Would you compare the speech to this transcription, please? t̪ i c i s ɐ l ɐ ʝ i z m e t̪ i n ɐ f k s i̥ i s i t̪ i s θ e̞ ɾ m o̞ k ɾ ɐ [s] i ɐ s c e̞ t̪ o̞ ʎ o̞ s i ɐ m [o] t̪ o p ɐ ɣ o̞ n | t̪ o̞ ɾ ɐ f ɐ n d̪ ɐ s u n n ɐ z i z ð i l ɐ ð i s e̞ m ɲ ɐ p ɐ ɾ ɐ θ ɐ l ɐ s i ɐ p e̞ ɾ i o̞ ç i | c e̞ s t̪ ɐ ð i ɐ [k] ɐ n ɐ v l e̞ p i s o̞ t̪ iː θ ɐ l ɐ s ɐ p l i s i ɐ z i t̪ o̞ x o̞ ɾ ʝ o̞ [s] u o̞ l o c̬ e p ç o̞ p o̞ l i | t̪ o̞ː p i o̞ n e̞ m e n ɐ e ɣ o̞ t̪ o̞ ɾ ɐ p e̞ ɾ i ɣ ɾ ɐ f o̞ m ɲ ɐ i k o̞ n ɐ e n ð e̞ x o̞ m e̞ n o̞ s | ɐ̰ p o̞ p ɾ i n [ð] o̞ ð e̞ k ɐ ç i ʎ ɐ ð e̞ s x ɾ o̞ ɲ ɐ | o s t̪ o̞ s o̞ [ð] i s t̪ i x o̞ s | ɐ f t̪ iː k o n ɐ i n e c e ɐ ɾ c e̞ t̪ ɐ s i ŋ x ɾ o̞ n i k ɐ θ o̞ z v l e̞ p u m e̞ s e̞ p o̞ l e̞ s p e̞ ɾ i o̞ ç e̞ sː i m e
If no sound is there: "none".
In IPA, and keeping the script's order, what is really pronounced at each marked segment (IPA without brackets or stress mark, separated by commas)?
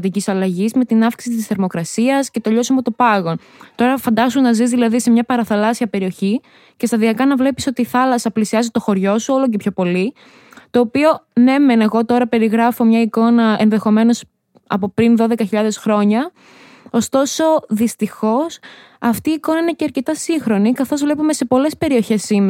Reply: s, o, k, s, ð, ð